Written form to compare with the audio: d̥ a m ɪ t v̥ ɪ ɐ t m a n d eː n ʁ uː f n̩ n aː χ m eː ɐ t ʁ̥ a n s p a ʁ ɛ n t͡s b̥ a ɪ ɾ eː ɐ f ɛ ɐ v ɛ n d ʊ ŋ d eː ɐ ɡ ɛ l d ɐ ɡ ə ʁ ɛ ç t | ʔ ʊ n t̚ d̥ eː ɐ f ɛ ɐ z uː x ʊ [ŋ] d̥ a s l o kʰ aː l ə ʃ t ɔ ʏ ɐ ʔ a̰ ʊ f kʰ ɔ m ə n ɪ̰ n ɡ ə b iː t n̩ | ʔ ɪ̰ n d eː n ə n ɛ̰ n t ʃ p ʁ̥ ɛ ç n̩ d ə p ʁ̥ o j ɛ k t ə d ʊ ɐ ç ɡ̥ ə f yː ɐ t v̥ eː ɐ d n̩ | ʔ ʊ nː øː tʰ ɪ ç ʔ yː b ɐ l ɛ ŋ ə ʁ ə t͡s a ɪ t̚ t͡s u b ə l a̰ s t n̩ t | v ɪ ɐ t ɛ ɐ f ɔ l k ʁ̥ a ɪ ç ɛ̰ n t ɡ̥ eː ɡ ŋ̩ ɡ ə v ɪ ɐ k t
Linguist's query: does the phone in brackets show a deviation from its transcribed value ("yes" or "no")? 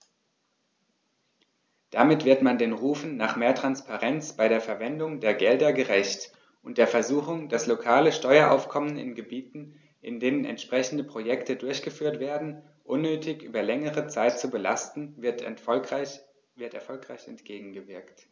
no